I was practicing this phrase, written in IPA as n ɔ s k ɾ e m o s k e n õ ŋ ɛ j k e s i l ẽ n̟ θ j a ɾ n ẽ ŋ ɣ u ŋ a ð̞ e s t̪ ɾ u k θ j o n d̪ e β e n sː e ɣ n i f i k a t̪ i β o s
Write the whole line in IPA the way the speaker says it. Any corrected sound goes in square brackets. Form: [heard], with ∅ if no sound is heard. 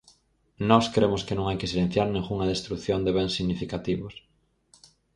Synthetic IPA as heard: n ɔ s k ɾ e m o s k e n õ ŋ [a] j k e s i l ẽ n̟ θ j a ɾ n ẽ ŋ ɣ u ŋ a ð̞ e s t̪ ɾ u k θ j o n d̪ e β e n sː [i] ɣ n i f i k a t̪ i β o s